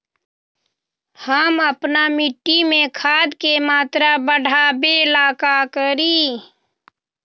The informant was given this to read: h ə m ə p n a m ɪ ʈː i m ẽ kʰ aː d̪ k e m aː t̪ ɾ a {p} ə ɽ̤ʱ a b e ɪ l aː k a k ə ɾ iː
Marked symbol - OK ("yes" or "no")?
no